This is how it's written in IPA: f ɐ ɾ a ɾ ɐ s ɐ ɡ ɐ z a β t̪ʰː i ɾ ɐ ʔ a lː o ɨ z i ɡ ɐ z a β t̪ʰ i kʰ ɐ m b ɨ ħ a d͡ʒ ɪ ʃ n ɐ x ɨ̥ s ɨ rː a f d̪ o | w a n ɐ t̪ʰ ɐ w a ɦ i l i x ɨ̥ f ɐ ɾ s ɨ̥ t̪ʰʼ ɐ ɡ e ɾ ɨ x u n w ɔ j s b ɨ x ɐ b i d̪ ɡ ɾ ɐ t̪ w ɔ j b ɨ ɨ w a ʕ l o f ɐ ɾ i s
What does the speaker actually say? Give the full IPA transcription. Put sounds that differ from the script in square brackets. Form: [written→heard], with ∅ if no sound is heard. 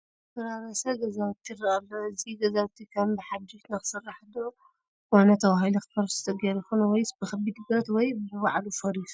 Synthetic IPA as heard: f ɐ ɾ a ɾ ɐ s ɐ ɡ ɐ z a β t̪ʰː i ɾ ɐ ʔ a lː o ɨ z i ɡ ɐ z a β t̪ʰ i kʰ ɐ m b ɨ ħ a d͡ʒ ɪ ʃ n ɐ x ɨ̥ s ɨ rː a [f→ħ] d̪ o | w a n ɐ t̪ʰ ɐ w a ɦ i l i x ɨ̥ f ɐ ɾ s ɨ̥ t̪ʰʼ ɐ ɡ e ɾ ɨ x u n w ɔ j s b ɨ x ɐ b i d̪ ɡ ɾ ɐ t̪ w ɔ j b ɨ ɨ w a ʕ l [o→u] f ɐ ɾ i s